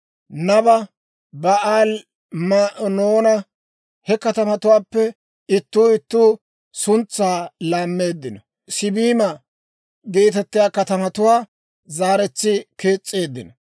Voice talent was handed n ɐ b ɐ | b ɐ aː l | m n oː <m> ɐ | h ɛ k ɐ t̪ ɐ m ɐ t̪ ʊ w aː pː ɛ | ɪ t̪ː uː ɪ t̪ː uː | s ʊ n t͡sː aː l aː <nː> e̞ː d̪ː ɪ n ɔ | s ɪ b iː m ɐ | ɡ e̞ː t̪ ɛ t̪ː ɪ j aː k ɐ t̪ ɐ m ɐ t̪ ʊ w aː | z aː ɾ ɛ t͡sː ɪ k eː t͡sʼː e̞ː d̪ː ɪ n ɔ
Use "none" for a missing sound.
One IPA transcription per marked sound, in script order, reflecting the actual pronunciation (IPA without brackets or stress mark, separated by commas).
n, mː